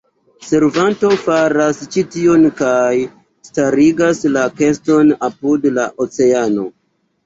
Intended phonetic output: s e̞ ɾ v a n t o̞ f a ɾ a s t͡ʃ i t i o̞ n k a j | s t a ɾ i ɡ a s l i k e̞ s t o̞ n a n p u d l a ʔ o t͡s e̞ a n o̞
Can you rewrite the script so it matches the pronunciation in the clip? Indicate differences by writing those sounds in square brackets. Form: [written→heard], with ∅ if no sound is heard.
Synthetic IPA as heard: s e̞ ɾ v a n t o̞ f a ɾ a s t͡ʃ i t i o̞ n k a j | s t a ɾ i ɡ a s l [i→a] k e̞ s t o̞ n a [n→∅] p u d l a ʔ o t͡s e̞ a n o̞